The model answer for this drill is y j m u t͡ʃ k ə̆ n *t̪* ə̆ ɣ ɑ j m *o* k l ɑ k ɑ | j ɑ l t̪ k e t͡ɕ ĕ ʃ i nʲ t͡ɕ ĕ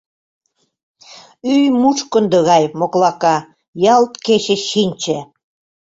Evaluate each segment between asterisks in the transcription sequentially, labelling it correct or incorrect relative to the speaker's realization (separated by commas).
incorrect, correct